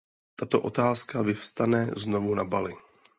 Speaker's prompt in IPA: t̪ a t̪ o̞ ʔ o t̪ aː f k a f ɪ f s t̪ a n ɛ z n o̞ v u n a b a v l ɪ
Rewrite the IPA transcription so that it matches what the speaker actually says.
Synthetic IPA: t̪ a t̪ o̞ ʔ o t̪ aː s k a v ɪ f s t̪ a n ɛ z n o̞ v u n a b a l ɪ